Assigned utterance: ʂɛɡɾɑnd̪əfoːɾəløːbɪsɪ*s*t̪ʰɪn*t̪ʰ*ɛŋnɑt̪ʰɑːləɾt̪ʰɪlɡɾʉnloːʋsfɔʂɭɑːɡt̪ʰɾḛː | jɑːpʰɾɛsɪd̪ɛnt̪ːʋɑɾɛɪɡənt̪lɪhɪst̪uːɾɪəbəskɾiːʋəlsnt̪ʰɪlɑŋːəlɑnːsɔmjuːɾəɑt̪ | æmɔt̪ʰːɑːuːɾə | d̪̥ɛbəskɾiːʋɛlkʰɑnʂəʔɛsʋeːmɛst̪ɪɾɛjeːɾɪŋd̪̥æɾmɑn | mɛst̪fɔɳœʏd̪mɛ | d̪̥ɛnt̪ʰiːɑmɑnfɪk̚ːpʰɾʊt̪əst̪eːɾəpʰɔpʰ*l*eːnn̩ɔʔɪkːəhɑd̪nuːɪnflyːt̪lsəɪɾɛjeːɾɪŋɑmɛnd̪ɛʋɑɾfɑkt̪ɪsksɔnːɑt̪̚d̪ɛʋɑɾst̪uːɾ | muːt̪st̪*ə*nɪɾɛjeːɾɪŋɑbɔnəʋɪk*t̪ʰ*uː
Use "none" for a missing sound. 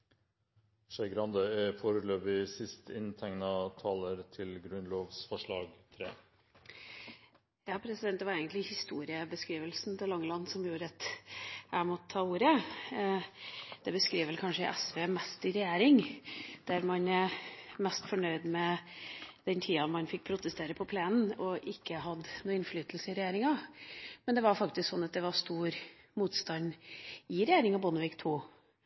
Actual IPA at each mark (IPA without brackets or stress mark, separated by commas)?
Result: s, t̪ʰ, l, ɑ, t̪ʰ